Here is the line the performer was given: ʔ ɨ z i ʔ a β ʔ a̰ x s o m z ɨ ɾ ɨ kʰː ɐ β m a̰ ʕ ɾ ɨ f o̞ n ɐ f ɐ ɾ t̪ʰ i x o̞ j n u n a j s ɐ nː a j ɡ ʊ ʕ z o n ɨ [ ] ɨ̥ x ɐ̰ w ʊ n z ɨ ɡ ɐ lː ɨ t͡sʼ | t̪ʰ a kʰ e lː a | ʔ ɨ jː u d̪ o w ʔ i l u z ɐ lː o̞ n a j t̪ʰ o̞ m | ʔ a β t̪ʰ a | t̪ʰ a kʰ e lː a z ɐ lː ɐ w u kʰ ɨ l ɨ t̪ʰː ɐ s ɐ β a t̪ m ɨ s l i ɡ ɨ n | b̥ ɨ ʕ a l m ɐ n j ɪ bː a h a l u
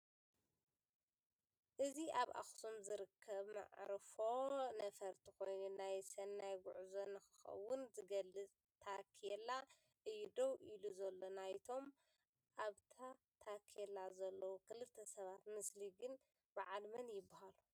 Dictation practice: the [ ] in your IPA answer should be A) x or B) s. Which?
A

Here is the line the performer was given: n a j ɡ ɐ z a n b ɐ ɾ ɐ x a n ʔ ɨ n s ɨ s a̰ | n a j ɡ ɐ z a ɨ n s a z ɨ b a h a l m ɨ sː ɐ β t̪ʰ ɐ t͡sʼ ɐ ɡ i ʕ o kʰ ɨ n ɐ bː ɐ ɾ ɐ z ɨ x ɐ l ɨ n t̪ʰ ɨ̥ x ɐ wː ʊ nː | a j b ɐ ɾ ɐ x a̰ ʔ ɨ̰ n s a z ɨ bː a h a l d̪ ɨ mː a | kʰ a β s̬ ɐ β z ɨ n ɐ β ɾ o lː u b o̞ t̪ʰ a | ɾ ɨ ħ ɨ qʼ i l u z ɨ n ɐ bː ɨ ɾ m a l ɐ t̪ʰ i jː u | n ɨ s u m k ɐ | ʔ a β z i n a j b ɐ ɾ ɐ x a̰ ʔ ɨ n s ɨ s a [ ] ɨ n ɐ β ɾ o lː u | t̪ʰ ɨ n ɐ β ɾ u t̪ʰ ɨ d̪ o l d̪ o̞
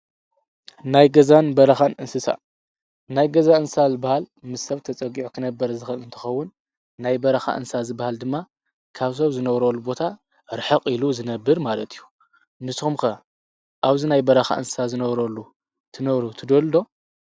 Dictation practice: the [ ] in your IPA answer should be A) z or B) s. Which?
A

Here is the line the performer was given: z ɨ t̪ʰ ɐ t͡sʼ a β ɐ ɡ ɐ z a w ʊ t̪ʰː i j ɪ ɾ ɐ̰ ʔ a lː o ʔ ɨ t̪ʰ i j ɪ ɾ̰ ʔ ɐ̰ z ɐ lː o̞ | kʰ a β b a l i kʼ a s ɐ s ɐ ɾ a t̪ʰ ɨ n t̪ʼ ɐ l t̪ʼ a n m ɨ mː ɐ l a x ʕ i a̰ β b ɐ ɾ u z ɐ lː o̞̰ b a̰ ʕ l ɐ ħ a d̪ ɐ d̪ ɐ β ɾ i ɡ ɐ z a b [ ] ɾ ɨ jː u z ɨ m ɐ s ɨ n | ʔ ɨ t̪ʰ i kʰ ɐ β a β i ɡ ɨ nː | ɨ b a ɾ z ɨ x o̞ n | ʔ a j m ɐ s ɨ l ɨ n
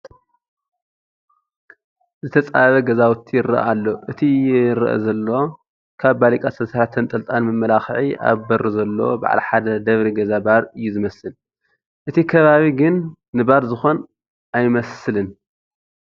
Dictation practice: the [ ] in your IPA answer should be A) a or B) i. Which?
A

